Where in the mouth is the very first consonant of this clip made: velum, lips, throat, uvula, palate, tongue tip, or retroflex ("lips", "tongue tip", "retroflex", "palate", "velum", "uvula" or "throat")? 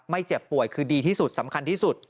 lips